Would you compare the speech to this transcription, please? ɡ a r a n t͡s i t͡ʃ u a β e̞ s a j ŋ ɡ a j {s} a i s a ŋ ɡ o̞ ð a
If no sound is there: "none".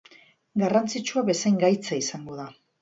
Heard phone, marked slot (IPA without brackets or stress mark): t͡s